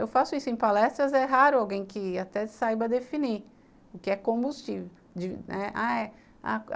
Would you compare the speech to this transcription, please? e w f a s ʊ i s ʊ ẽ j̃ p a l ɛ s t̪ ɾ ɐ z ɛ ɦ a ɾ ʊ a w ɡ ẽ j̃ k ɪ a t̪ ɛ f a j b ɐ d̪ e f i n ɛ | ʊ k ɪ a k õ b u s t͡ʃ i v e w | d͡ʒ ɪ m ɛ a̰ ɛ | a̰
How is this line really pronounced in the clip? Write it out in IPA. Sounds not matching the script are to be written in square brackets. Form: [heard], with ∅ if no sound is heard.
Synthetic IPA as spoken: e w f a s ʊ i s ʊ ẽ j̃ p a l ɛ s t̪ ɾ ɐ z ɛ ɦ a ɾ ʊ a w ɡ ẽ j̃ k ɪ a t̪ ɛ [s] a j b ɐ d̪ e f i n [i] | ʊ k ɪ [ɛ] k õ b u s t͡ʃ i v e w | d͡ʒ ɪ [n] ɛ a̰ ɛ | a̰

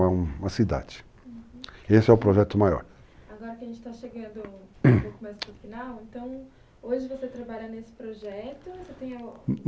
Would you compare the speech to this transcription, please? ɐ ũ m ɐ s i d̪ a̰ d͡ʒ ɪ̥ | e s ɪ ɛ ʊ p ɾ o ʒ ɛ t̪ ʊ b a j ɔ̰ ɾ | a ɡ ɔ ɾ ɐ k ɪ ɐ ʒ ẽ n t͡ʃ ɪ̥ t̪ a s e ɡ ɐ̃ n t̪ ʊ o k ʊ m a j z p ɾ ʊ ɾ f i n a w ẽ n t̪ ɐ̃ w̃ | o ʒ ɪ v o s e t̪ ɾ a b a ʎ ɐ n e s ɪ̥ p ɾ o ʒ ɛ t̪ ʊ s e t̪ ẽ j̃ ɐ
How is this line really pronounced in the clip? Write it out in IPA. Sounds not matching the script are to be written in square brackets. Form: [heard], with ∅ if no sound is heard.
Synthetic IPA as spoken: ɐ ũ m ɐ s i d̪ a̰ d͡ʒ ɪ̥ | e s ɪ ɛ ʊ p ɾ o ʒ ɛ t̪ ʊ [m] a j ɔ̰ ɾ | a ɡ ɔ ɾ ɐ k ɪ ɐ ʒ ẽ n t͡ʃ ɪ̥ t̪ a [ʃ] e ɡ ɐ̃ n [d̪] ʊ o k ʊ m a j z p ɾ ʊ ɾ f i n a w ẽ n t̪ ɐ̃ w̃ | o ʒ ɪ v o s e t̪ ɾ a b a ʎ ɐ n e s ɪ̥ p ɾ o ʒ ɛ t̪ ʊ s e t̪ ẽ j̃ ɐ

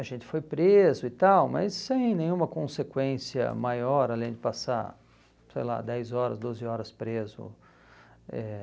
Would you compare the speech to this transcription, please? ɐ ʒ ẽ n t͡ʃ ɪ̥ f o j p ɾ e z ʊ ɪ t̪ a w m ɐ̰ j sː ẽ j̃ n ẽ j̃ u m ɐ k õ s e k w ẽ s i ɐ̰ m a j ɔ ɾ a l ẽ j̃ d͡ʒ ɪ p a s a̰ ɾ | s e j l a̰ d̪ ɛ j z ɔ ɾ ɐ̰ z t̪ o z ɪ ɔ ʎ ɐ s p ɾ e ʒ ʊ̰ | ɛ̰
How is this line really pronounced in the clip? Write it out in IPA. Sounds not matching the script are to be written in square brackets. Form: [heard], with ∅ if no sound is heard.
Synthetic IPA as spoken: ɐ ʒ ẽ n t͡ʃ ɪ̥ f o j p ɾ e z ʊ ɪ t̪ a w m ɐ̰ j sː ẽ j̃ n ẽ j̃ [ũ] m ɐ k õ s e k w ẽ s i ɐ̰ m a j ɔ ɾ a l ẽ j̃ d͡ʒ ɪ p a s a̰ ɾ | s e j l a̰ d̪ ɛ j z ɔ ɾ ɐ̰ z [d̪] o z ɪ ɔ [ɾ] ɐ s p ɾ e [z] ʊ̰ | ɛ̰

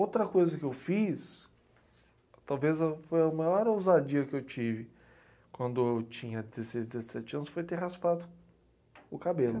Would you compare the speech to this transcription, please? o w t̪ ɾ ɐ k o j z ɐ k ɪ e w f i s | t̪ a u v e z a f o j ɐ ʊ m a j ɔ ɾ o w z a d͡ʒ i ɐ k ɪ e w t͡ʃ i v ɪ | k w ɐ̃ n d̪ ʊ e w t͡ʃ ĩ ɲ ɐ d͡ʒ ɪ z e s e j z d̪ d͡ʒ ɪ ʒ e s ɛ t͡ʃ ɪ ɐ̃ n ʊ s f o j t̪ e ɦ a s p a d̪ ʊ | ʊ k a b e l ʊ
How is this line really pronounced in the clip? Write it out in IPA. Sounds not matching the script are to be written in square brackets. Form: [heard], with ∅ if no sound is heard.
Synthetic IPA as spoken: o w t̪ ɾ ɐ k o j z ɐ k ɪ e w f i s | t̪ a [w] v e z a f o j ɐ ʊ m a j ɔ ɾ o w z a d͡ʒ i ɐ k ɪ e w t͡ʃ i v ɪ | k w ɐ̃ n d̪ ʊ e w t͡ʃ ĩ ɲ ɐ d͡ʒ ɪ z e s e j z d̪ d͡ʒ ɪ [z] e s ɛ t͡ʃ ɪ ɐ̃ n ʊ s f o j t̪ e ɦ a s p a d̪ ʊ | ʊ k a b e l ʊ

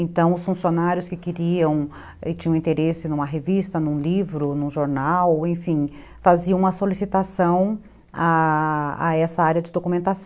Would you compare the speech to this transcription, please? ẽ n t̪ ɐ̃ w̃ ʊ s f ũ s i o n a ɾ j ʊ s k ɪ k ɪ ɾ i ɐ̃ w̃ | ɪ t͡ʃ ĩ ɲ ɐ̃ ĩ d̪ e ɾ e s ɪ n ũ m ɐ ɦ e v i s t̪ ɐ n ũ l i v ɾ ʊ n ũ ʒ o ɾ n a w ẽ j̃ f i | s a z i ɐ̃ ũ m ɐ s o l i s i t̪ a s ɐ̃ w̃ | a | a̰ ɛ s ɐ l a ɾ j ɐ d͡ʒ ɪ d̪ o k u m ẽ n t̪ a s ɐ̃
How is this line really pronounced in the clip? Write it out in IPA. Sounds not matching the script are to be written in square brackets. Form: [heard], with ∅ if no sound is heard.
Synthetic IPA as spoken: ẽ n t̪ ɐ̃ w̃ ʊ s f ũ s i o n a ɾ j ʊ s k ɪ k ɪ ɾ i ɐ̃ w̃ | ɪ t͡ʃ ĩ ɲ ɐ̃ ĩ [t̪] e ɾ e s ɪ n ũ m ɐ ɦ e v i s t̪ ɐ n ũ l i v ɾ ʊ n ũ ʒ o ɾ n a w ẽ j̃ f [ĩ] | [f] a z i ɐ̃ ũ m ɐ s o l i s i t̪ a s ɐ̃ w̃ | a | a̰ ɛ s ɐ [∅] a ɾ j ɐ d͡ʒ ɪ d̪ o k u m ẽ n t̪ a s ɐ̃

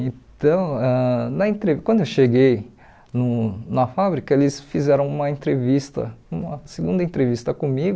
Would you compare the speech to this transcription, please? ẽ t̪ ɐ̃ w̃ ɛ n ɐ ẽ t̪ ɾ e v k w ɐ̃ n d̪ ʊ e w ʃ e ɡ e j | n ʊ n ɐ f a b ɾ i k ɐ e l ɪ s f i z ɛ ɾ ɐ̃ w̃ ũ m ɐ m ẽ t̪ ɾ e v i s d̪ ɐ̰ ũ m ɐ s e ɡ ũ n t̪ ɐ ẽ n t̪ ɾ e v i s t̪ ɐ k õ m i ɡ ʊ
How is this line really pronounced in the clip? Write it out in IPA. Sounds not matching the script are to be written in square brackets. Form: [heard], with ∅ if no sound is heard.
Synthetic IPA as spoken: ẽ t̪ ɐ̃ w̃ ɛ n ɐ ẽ t̪ ɾ e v k w ɐ̃ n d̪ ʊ e w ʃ e ɡ e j | n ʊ n ɐ f a b ɾ i k ɐ e l ɪ s f i z ɛ ɾ ɐ̃ w̃ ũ m ɐ [∅] ẽ t̪ ɾ e v i s [t̪] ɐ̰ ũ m ɐ s e ɡ ũ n [d̪] ɐ ẽ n t̪ ɾ e v i s t̪ ɐ k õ m i ɡ ʊ

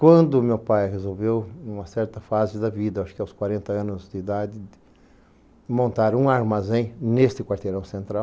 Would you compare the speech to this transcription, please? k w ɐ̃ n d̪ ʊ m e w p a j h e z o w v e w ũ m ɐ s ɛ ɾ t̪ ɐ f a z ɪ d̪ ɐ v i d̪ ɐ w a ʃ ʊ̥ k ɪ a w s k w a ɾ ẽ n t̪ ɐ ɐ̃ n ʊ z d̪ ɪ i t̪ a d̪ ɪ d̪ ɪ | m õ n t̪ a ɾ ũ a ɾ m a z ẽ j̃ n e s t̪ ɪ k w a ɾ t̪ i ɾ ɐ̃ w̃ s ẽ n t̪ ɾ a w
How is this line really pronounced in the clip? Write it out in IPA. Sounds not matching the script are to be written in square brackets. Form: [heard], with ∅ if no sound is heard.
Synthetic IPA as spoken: k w ɐ̃ n d̪ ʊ m e w p a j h e z o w v e w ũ m ɐ s ɛ ɾ t̪ ɐ f a z ɪ d̪ ɐ v i d̪ ɐ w a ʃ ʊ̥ k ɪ a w s k w a ɾ ẽ n t̪ ɐ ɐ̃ n ʊ z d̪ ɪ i [d̪] a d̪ ɪ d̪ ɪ | m õ n t̪ a ɾ ũ a ɾ m a z ẽ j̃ n e s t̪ ɪ k w a ɾ t̪ [e] ɾ ɐ̃ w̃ s ẽ n t̪ ɾ a w

